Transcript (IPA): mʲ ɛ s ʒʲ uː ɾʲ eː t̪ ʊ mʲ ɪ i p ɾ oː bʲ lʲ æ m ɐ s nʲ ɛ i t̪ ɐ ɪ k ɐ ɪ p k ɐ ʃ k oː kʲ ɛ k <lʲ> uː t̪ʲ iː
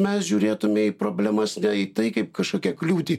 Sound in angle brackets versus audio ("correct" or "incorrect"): correct